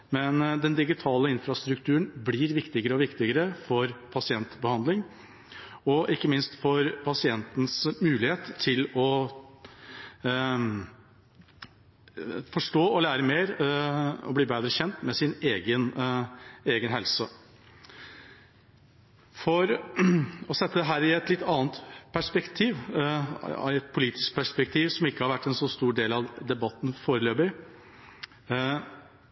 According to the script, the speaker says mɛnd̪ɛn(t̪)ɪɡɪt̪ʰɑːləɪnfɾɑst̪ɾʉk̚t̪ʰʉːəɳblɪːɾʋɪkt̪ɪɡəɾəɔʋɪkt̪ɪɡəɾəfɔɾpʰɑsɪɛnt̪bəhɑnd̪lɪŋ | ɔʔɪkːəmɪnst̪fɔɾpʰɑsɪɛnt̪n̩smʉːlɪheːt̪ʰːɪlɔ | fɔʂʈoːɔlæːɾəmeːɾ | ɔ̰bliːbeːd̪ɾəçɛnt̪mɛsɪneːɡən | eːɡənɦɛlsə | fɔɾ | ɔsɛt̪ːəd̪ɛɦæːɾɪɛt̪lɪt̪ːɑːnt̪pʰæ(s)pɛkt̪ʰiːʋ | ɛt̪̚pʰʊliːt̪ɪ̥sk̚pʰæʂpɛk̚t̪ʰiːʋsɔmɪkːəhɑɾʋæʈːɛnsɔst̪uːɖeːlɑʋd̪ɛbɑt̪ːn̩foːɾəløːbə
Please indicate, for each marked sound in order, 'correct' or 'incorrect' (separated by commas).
incorrect, incorrect